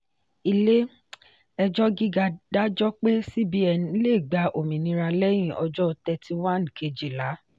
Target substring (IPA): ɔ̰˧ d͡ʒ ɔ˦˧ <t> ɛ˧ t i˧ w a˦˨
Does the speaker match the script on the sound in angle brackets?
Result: yes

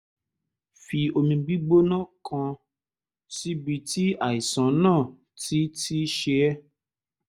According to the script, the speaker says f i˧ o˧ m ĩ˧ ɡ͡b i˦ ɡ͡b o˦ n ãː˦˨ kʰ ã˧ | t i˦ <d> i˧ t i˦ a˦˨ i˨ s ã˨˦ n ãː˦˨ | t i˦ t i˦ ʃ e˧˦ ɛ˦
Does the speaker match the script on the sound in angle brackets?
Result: no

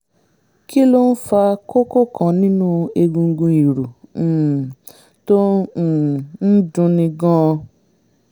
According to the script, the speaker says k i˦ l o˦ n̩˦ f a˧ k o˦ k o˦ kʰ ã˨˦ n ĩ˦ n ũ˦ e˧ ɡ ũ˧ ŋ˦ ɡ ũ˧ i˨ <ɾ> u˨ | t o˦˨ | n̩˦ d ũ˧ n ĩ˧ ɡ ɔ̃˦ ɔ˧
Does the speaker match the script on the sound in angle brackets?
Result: yes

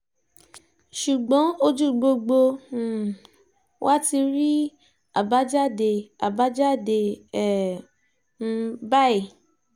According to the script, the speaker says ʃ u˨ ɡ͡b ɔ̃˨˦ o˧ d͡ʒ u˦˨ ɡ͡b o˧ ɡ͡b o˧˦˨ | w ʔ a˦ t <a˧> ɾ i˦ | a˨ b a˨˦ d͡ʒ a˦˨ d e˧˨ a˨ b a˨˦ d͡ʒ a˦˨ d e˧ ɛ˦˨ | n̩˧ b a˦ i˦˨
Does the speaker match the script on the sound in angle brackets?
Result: no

